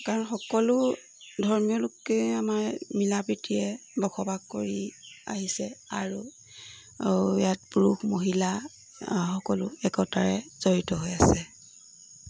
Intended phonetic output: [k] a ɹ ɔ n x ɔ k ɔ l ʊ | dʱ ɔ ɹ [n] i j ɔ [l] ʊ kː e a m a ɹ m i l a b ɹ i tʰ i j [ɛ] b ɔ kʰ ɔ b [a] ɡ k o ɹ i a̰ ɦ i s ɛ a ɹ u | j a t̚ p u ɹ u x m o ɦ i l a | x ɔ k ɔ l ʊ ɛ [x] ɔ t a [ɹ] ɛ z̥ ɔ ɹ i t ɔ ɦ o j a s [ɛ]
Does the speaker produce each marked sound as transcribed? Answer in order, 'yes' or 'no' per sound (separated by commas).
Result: yes, no, yes, yes, yes, no, yes, yes